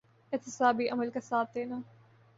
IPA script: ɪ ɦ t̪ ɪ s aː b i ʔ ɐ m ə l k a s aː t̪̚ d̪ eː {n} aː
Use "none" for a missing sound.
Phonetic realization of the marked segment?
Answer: n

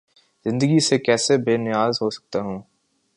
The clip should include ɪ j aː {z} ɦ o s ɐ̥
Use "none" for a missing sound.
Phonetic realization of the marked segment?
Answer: z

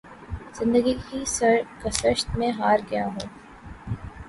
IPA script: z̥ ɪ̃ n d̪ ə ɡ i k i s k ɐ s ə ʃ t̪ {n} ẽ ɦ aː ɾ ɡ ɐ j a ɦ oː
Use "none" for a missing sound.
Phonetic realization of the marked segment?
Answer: m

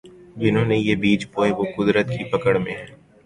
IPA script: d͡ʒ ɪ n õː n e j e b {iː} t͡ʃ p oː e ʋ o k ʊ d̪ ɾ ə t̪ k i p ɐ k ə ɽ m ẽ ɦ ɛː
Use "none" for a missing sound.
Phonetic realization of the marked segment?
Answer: iː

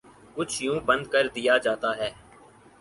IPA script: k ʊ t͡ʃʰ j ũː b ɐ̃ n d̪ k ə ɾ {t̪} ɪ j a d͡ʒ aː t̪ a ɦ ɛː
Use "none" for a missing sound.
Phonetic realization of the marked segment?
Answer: d̪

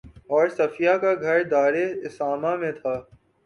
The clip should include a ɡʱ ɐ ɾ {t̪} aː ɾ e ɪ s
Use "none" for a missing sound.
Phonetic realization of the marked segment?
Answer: d̪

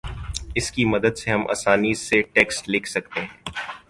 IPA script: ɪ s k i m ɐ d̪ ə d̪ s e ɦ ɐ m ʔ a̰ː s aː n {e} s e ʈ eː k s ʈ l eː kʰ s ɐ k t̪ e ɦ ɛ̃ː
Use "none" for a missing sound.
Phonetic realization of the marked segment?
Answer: i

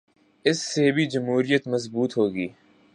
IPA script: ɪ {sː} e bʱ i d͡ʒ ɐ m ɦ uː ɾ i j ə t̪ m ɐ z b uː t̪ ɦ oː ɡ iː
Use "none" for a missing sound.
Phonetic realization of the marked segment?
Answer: sː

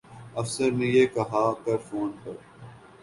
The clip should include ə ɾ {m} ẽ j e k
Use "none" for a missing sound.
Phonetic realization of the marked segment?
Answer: n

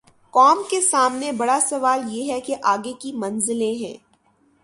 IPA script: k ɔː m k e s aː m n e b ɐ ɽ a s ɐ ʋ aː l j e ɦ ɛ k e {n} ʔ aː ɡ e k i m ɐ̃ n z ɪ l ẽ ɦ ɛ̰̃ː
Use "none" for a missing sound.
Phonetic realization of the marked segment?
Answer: none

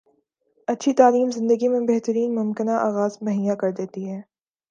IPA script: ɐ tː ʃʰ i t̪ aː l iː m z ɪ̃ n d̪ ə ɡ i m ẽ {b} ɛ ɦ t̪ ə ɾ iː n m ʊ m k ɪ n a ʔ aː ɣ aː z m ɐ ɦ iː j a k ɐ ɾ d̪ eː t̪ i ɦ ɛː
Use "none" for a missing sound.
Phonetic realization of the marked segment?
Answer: b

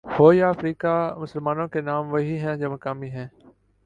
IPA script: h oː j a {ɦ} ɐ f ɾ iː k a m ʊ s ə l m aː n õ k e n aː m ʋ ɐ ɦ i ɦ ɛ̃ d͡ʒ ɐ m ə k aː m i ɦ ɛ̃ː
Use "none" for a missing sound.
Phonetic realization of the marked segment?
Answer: none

